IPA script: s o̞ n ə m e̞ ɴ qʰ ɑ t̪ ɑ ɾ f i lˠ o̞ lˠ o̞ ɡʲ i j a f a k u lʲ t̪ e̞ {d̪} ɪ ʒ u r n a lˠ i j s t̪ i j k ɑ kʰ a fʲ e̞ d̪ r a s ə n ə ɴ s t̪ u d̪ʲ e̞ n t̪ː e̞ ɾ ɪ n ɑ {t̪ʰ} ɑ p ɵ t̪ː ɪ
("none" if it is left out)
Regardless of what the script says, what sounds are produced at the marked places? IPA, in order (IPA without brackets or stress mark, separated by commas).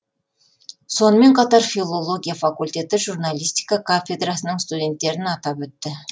t̪, t̪